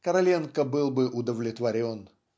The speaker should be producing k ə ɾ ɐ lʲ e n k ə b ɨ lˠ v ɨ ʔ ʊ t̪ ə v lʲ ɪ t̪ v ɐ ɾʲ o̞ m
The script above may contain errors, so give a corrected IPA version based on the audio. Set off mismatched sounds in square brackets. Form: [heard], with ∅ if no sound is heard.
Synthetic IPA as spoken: k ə ɾ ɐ lʲ e n k ə b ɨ lˠ [b] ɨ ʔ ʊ [d̪] ə v lʲ ɪ t̪ v ɐ ɾʲ o̞ [n]